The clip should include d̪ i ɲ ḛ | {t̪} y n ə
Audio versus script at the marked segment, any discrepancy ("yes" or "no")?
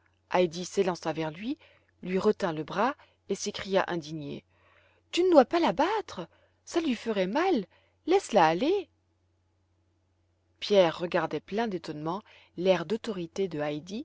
no